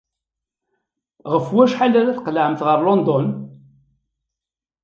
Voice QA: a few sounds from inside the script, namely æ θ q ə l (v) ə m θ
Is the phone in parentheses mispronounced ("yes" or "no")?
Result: yes